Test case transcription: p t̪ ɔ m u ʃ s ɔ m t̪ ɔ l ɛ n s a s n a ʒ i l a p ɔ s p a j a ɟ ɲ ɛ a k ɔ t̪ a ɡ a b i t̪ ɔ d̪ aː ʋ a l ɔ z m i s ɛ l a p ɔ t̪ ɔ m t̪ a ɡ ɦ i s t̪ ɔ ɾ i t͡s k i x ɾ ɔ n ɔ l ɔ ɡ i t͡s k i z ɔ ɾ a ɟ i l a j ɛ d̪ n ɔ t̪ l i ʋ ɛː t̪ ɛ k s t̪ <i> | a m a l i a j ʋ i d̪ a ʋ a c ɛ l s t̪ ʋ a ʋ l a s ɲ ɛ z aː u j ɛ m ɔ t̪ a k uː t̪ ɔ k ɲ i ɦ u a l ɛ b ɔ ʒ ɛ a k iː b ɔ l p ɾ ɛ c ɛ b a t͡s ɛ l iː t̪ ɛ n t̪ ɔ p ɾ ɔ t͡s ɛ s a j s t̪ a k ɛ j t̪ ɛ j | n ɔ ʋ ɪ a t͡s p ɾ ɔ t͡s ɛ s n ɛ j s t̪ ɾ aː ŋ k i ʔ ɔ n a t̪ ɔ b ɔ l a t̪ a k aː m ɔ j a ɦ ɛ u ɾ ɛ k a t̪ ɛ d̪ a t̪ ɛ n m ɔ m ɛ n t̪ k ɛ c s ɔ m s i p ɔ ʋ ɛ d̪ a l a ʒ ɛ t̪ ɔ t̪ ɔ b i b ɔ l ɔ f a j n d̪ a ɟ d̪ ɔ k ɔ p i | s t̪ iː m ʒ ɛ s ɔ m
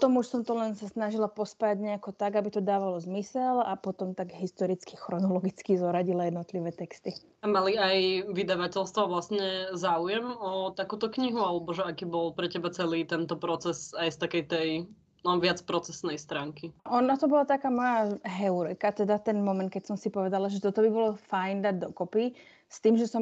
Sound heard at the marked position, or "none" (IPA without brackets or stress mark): i